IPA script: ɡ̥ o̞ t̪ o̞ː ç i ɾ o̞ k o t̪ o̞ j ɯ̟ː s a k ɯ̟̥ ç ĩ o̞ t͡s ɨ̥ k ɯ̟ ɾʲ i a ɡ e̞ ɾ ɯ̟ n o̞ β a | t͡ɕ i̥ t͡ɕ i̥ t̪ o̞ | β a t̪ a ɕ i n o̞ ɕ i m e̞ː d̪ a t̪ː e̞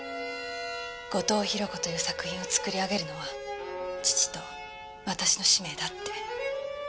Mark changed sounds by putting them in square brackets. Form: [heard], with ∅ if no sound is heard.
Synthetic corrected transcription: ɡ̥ o̞ t̪ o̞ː ç i ɾ o̞ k o t̪ o̞ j ɯ̟ː s a k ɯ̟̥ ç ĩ o̞ t͡s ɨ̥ k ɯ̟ ɾʲ i a ɡ e̞ ɾ ɯ̟ n o̞ β a | t͡ɕ i̥ t͡ɕ i̥ t̪ o̞ | β a t̪ a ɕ i n o̞ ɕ i m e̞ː d̪ a t̪ː e̞